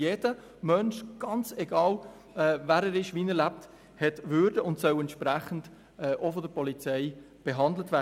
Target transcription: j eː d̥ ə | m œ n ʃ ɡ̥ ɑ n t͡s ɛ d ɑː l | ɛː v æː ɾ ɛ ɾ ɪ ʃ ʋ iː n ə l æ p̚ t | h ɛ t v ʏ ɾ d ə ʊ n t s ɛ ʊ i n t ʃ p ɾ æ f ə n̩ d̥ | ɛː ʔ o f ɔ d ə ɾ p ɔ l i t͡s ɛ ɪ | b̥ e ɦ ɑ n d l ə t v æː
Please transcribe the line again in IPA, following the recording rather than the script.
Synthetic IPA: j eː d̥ ə | m œ n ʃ ɡ̥ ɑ n t͡s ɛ ɡ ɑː l | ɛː v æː ɾ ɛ ɾ ɪ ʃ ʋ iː n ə l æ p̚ t | h ɛ t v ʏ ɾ d ə ʊ n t s œ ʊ ɛ n t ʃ p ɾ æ χ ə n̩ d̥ | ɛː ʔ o f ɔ d ə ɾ p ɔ l i t͡s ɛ ɪ | b̥ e ɦ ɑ n d l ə t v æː